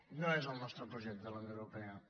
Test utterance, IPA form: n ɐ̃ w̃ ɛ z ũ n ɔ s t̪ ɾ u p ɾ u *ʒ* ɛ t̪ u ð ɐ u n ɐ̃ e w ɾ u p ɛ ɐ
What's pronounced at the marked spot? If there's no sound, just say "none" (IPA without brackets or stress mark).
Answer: ʒ